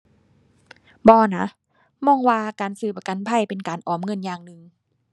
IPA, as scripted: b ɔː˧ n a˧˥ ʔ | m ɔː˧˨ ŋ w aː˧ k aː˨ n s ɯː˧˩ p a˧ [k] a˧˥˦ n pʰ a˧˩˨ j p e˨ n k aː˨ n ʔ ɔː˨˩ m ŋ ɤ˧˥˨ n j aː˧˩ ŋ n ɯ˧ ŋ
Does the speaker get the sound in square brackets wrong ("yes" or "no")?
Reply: no